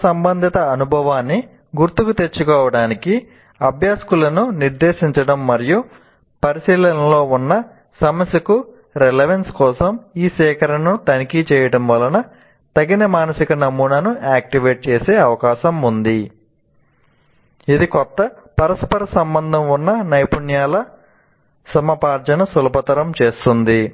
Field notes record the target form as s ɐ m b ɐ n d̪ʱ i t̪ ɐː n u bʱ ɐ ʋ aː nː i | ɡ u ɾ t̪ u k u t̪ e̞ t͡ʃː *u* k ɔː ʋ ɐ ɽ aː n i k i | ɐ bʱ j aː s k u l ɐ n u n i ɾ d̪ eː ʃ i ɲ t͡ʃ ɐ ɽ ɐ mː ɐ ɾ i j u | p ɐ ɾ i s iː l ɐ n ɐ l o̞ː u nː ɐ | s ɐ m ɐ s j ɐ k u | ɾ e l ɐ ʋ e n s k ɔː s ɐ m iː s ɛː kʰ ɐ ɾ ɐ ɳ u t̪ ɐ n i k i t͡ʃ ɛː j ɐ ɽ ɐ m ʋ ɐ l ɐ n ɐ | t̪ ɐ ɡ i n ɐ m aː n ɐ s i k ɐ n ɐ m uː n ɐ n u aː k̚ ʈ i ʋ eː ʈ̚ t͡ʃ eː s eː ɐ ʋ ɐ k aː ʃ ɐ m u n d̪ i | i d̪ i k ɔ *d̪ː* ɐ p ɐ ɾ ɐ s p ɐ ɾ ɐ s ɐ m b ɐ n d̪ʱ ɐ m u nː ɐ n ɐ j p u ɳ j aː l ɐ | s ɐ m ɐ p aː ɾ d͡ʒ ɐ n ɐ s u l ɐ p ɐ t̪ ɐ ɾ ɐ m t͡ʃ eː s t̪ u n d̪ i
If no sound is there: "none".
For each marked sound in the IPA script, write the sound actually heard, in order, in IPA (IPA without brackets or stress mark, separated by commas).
u, t̪ː